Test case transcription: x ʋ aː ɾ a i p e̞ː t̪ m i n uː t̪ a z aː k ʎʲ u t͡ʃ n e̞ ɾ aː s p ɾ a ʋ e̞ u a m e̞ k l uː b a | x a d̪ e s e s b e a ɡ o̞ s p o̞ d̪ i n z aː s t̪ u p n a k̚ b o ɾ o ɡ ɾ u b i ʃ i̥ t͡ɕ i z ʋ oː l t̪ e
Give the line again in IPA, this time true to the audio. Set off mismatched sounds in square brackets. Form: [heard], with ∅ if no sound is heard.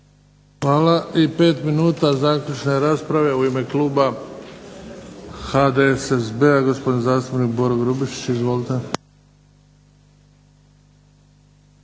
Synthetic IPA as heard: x ʋ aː [l] a i p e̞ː t̪ m i n uː t̪ a z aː k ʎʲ u t͡ʃ n e̞ ɾ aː s p ɾ a ʋ e̞ u [i] m e̞ k l uː b a | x a d̪ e s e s b e a ɡ o̞ s p o̞ d̪ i n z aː s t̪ u p n [i] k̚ b o ɾ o ɡ ɾ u b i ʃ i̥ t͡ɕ i z ʋ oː l t̪ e